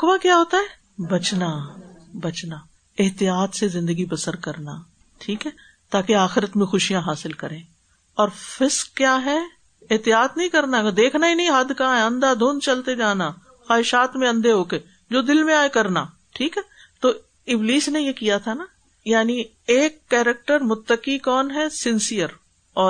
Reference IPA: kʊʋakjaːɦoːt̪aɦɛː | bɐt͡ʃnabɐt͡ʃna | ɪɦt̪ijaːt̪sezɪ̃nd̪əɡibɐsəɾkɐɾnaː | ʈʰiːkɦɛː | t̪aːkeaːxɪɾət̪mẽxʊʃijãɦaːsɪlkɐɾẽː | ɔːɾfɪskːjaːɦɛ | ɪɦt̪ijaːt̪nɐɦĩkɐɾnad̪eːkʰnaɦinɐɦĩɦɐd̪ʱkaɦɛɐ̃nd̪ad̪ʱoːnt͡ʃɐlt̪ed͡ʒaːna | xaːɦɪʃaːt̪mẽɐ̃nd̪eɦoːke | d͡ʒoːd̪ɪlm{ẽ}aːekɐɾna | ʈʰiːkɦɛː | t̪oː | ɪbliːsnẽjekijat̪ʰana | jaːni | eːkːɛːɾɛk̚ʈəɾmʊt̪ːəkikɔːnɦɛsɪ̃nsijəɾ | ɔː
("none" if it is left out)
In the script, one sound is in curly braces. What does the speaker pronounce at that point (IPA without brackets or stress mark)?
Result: ẽ